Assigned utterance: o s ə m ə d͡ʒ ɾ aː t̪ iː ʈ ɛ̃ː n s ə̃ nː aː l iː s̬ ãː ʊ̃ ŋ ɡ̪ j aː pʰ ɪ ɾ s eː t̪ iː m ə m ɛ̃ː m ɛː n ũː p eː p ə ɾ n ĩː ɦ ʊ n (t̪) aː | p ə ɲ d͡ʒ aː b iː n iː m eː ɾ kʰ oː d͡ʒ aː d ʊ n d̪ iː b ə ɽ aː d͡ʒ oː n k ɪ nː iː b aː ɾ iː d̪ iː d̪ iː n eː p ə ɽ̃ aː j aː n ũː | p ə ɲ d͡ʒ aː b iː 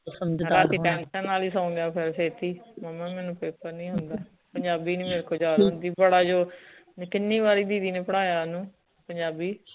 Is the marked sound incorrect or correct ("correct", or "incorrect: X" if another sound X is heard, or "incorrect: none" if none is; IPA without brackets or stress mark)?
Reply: incorrect: d̪